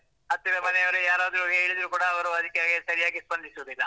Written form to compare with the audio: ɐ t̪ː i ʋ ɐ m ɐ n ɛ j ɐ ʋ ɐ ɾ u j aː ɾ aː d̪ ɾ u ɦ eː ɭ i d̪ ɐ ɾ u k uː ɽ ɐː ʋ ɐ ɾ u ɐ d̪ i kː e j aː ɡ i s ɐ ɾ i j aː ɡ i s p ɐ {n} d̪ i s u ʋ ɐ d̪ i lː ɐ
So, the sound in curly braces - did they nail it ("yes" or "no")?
yes